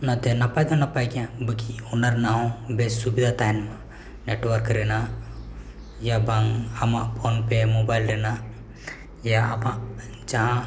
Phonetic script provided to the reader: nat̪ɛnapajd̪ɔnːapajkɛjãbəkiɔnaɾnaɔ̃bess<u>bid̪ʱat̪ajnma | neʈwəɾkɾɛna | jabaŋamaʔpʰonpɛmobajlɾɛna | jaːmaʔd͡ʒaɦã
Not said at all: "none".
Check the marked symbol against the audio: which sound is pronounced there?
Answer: u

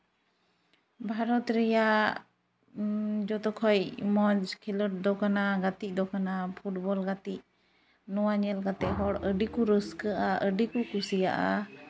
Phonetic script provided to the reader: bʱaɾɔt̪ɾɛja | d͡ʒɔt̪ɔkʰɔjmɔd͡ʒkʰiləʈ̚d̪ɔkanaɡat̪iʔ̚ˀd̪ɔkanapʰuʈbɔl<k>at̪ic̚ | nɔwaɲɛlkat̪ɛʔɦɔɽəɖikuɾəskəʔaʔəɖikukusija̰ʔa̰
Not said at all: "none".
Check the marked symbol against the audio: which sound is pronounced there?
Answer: ɡ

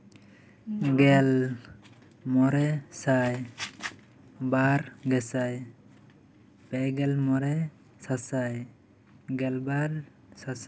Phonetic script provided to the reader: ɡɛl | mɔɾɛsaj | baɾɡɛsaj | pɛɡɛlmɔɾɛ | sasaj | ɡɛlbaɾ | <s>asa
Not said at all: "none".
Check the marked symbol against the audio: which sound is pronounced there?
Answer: s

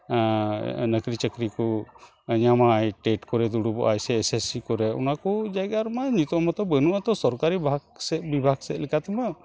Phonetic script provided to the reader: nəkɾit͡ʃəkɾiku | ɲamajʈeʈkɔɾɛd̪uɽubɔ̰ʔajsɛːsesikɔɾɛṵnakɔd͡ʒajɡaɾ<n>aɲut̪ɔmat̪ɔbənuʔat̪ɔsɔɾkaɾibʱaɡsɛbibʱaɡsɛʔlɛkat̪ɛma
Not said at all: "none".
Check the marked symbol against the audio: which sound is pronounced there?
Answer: m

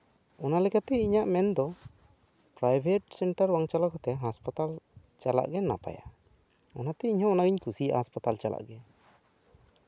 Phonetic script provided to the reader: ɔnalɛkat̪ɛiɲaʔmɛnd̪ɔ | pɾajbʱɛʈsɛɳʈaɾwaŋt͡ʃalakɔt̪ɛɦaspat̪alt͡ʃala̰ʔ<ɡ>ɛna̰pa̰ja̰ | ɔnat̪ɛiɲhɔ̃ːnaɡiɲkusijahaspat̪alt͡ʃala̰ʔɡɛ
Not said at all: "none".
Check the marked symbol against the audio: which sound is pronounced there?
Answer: ɡ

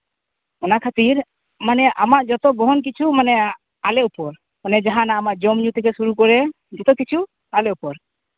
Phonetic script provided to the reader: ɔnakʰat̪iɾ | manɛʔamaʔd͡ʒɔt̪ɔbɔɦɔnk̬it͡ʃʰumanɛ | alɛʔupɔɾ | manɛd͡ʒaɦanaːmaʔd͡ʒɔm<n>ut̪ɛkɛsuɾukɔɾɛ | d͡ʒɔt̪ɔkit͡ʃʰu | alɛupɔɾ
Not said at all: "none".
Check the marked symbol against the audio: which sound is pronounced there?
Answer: ɲ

